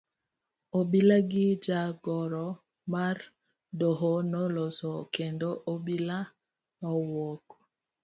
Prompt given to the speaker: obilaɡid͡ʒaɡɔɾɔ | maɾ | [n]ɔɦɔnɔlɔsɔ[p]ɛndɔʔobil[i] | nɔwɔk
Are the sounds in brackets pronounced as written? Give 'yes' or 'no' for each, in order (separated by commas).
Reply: no, no, no